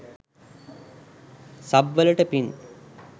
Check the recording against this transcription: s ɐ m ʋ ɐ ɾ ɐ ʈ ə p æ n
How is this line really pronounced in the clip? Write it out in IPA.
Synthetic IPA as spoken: s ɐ b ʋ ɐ l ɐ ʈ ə p i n

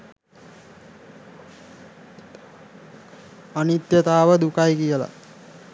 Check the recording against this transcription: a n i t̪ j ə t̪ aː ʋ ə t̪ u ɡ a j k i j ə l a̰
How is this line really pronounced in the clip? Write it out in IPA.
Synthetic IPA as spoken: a n i t̪ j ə t̪ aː ʋ ə d̪ u k a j k i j ə l a̰

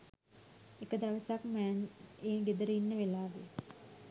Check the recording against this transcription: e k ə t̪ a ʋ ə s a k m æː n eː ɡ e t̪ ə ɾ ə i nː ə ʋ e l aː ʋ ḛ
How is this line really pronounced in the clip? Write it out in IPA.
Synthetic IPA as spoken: e k ə d̪ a ʋ ə s a k m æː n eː ɡ e d̪ ə ɾ ə i nː ə ʋ e l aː ʋ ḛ

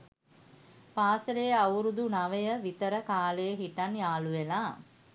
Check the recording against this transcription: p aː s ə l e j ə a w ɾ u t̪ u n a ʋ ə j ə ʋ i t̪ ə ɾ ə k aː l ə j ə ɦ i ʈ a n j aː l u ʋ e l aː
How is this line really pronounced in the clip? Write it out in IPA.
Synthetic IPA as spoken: p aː s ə l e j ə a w ɾ u d̪ u n a ʋ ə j ə ʋ i t̪ ə ɾ ə k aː l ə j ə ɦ i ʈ a n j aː l u ʋ e l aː

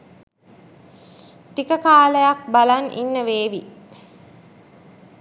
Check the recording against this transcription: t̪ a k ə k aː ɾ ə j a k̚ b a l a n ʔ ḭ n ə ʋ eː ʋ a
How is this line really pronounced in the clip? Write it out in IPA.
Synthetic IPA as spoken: t̪ i k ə k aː l ə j a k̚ b a l a n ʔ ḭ nː ə ʋ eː ʋ i

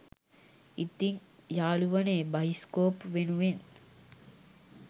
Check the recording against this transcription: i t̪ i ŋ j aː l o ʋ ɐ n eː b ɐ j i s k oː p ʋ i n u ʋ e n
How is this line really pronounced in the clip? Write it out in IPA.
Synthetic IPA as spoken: i t̪ i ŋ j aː l u ʋ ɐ n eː b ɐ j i s k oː p ʋ e n u ʋ e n

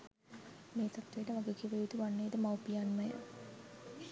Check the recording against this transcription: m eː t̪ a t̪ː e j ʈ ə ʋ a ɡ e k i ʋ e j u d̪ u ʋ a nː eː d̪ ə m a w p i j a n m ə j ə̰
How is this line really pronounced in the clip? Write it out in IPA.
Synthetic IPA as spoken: m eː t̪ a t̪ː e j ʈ ə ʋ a ɡ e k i ʋ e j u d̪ u ʋ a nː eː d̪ ə m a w p i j a n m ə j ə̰

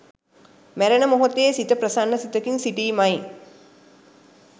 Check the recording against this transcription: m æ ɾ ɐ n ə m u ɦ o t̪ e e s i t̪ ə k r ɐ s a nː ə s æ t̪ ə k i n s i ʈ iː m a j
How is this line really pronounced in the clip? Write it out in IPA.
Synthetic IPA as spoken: m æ ɾ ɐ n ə m o ɦ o t̪ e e s i t̪ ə p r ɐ s a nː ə s i t̪ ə k i n s i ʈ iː m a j

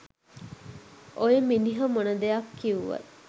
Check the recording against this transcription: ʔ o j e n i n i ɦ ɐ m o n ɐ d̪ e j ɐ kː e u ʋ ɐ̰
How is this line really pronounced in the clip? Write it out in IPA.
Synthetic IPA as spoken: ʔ o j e m i n i ɦ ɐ m o n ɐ d̪ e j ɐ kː i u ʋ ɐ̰

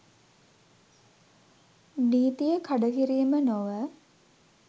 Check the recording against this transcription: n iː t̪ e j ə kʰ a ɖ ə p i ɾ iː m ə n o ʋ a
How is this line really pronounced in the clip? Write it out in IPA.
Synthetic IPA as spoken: n iː t̪ i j ə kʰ a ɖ ə k i ɾ iː m ə n o ʋ ə

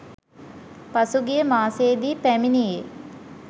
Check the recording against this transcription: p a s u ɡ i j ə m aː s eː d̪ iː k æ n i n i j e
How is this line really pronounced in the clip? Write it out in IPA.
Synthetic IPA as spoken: p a s u ɡ i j ə m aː s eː d̪ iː p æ m i n i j e

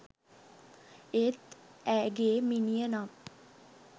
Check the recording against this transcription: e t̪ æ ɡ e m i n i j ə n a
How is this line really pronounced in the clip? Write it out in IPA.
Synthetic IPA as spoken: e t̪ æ ɡ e m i n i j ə n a

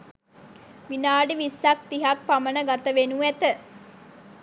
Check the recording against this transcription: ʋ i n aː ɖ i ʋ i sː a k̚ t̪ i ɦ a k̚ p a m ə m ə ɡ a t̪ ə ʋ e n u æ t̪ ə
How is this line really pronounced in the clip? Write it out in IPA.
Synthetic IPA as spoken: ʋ i n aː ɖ i ʋ i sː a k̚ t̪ i ɦ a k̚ p a m ə n ə ɡ a t̪ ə ʋ e n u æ t̪ ə

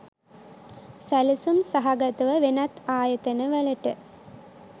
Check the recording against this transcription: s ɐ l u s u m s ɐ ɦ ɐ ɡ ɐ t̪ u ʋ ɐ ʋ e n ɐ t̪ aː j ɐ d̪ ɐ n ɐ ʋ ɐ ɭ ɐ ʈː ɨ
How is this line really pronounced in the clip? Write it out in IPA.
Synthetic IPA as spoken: s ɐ l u s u m s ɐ ɦ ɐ ɡ ɐ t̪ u ʋ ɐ ʋ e n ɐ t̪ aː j ɐ t̪ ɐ n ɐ ʋ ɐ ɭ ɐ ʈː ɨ

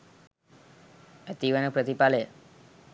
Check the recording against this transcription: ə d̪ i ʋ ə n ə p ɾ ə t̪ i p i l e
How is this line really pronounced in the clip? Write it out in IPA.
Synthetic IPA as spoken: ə t̪ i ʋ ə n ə p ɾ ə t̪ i p a l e

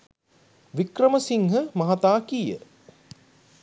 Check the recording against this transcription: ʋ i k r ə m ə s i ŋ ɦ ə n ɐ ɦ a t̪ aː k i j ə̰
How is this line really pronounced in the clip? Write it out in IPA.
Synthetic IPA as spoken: ʋ i k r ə m ə s i ŋ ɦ ə m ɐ ɦ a t̪ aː k i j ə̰

